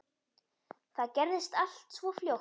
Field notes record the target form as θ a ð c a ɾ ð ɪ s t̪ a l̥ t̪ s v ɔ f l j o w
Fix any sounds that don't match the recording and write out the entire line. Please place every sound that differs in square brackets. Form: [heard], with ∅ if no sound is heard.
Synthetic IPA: θ a ð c [ɛ] ɾ ð ɪ s t̪ a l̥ t̪ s v ɔ f l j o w